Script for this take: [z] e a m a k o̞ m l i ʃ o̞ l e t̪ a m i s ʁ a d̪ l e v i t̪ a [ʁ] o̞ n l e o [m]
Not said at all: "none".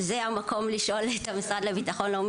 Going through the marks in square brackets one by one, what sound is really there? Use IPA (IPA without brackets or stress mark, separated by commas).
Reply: z, χ, m